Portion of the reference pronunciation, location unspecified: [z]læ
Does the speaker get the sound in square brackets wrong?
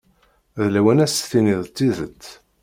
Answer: yes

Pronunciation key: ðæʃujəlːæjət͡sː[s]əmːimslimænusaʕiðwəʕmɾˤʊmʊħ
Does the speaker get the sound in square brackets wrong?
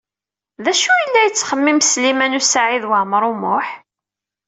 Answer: yes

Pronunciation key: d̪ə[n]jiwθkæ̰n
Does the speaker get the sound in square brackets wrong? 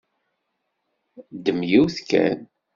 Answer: yes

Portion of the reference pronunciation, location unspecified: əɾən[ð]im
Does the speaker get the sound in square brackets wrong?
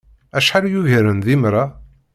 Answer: no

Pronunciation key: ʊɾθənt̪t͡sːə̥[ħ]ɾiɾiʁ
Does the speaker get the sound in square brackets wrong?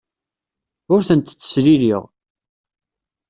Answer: yes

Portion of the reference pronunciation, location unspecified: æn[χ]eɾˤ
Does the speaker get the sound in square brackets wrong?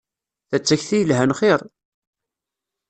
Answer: no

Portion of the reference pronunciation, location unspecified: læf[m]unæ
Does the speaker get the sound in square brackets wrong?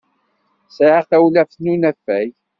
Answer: yes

